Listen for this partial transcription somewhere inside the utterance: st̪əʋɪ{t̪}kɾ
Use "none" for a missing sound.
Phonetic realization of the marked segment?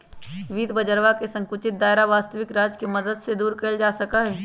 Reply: none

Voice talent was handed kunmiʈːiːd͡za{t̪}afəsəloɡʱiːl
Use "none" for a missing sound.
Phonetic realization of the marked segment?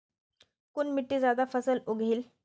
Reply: d̪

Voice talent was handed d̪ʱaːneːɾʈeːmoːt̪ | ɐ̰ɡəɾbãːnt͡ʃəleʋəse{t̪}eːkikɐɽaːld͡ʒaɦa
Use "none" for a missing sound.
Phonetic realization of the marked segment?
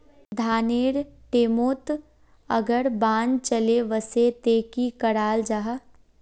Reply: t̪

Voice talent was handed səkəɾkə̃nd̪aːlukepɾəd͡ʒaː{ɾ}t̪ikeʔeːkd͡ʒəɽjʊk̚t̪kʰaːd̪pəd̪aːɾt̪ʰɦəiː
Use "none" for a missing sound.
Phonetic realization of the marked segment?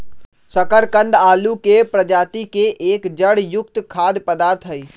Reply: none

